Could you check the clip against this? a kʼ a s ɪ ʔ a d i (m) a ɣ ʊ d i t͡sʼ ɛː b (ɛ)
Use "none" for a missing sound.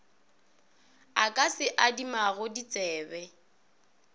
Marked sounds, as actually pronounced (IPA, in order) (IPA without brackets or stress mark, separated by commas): m, ɛ